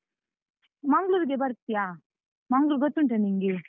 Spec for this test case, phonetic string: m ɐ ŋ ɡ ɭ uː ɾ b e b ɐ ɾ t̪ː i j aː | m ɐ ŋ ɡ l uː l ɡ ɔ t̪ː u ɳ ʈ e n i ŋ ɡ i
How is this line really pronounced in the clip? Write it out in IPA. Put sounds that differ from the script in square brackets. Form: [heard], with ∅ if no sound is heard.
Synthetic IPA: m ɐ ŋ ɡ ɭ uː ɾ [ɡ] e b ɐ ɾ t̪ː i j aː | m ɐ ŋ ɡ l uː [ɾ] ɡ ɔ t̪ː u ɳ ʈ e n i ŋ ɡ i